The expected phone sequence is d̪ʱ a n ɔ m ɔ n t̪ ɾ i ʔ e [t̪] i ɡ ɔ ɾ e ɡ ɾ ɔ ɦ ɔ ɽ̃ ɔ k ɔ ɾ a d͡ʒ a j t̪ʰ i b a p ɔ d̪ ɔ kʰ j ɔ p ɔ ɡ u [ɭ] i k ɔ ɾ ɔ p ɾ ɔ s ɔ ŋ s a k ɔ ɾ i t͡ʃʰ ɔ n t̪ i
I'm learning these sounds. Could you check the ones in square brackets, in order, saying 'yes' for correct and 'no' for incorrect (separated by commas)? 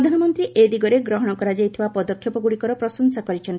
no, no